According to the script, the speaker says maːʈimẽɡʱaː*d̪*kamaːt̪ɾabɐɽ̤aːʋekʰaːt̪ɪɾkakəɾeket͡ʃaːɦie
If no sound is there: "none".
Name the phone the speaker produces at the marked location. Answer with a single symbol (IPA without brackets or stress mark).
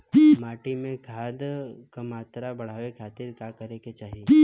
d̪